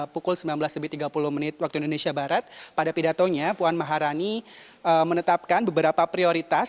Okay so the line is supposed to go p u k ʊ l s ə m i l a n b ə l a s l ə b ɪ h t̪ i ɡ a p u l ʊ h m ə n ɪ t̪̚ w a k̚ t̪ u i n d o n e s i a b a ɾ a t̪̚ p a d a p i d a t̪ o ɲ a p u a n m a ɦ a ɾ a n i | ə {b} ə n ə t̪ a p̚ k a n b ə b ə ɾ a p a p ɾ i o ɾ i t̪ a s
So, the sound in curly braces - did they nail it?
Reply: no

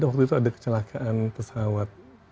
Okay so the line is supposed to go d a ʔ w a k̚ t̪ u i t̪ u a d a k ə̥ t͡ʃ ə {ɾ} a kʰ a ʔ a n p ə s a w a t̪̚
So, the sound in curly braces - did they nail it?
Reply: no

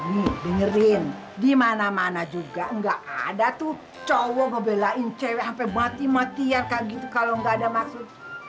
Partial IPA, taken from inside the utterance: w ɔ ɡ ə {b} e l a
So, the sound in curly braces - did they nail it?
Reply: yes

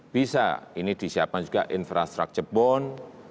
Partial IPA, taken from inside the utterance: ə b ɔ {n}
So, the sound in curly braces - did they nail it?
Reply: yes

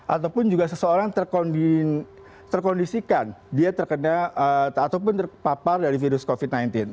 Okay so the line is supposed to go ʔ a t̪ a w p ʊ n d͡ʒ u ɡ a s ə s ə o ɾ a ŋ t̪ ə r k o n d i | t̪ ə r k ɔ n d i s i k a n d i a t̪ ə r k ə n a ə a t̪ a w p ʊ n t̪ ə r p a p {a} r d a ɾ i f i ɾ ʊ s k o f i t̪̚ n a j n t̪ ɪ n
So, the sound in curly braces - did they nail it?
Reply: yes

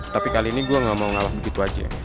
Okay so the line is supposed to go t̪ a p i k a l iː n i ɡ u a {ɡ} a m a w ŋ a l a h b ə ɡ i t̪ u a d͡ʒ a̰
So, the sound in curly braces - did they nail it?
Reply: no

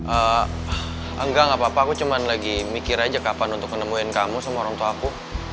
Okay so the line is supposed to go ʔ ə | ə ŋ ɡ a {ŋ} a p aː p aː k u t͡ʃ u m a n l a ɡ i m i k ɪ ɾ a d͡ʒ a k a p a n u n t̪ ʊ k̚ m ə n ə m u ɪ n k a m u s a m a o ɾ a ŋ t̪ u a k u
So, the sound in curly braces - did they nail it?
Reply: yes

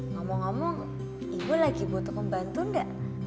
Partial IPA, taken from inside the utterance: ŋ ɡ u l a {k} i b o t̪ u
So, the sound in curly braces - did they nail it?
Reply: no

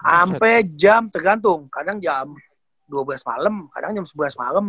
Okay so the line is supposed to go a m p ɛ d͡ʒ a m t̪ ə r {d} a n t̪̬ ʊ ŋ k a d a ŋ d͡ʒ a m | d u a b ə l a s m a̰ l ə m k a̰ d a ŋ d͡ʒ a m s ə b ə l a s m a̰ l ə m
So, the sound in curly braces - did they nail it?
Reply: no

